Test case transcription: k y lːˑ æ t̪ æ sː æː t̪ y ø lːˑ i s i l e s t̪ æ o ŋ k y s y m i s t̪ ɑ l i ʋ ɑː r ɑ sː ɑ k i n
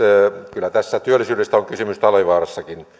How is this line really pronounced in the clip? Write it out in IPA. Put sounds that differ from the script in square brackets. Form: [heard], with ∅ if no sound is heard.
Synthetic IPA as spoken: k y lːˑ æ t̪ æ sː [æ] t̪ y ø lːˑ i s [y] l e s t̪ æ o ŋ k y s y m [y] s t̪ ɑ l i ʋ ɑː r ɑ sː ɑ k i n